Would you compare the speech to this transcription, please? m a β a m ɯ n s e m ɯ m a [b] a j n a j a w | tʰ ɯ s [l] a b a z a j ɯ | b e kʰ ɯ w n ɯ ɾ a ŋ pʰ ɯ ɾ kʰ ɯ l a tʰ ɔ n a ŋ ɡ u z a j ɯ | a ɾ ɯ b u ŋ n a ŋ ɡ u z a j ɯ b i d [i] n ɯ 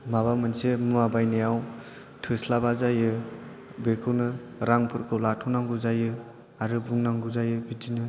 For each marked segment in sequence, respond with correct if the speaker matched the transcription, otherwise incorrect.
correct, correct, correct

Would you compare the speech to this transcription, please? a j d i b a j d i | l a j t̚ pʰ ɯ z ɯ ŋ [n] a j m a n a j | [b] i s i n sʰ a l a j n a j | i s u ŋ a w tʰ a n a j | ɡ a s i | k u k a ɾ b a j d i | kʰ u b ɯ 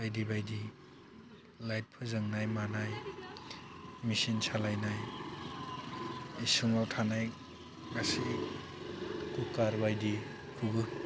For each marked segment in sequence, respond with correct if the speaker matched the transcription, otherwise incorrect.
correct, incorrect

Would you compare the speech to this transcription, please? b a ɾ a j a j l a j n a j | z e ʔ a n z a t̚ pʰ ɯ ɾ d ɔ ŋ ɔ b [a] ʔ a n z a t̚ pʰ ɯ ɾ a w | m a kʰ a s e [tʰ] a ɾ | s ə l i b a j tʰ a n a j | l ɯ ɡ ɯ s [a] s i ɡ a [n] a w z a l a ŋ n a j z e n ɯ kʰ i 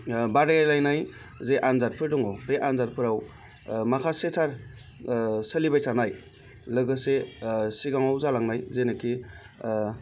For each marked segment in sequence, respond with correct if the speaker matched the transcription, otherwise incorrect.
incorrect, correct, incorrect, incorrect

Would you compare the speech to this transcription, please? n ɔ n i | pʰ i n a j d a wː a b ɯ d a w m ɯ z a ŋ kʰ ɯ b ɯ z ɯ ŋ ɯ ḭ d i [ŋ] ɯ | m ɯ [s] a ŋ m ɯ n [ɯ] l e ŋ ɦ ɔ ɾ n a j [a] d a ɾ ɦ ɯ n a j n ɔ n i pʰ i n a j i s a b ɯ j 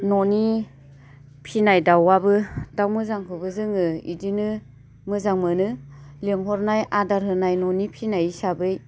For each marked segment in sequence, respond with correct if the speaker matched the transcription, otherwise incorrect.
incorrect, incorrect, correct, correct

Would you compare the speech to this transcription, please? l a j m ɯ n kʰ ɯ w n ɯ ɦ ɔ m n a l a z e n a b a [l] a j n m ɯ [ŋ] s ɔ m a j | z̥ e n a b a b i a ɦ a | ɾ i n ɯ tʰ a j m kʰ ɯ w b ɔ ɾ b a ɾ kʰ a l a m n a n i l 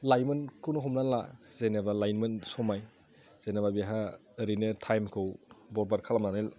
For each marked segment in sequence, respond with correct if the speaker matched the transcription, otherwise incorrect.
correct, incorrect

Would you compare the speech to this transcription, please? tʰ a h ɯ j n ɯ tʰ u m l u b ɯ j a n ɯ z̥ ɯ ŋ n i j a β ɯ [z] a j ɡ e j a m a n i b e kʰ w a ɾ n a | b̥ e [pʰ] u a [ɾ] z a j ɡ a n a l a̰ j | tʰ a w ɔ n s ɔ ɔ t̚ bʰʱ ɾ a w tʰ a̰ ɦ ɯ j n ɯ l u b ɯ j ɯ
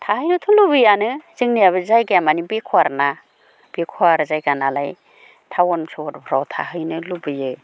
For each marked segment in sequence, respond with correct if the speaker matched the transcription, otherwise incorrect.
correct, incorrect, correct

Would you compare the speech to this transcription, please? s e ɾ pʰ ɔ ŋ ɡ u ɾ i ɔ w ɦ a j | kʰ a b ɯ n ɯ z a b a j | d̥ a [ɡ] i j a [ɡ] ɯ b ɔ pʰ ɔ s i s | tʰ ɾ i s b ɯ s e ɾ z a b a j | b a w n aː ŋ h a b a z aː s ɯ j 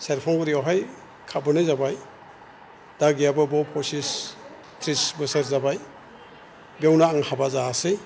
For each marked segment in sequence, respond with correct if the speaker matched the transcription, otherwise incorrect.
correct, incorrect

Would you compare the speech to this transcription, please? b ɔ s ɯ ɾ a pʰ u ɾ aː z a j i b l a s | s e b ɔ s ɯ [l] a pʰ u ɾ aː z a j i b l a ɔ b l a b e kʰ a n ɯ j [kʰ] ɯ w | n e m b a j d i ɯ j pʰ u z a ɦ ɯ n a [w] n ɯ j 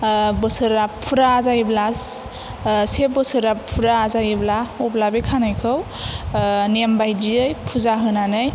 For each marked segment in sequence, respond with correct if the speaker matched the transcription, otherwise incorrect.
incorrect, correct, incorrect

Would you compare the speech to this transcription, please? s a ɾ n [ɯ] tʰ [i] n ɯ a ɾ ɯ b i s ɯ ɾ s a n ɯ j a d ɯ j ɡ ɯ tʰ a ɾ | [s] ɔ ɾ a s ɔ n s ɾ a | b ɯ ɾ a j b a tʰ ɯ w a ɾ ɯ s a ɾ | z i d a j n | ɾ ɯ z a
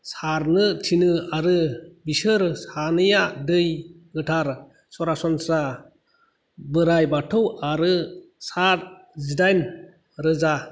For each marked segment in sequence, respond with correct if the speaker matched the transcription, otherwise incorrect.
correct, correct, correct

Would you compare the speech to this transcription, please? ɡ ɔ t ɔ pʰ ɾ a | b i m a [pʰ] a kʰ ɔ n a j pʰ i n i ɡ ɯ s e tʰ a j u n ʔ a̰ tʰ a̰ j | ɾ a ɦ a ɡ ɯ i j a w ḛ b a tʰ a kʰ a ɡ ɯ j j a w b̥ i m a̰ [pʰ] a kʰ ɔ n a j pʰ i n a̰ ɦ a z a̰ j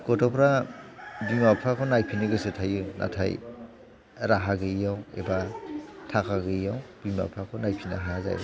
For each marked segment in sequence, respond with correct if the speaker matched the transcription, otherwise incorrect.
correct, correct

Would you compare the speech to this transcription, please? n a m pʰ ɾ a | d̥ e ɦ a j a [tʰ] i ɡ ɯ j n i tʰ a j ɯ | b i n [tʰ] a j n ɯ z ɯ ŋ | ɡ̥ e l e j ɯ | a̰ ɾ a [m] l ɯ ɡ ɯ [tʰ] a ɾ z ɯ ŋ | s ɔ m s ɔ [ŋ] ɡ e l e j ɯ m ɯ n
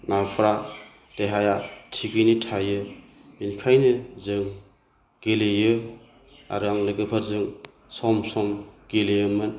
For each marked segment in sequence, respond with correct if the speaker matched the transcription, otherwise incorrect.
correct, incorrect, incorrect, incorrect, incorrect

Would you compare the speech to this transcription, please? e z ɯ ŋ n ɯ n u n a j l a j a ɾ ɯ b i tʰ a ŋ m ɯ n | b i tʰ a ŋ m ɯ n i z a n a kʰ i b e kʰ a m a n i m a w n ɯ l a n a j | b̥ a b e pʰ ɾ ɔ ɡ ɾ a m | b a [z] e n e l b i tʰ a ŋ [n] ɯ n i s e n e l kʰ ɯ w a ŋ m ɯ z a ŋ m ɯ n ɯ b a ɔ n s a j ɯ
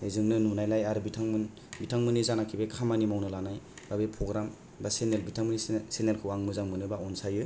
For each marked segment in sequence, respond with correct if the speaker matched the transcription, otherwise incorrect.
incorrect, incorrect

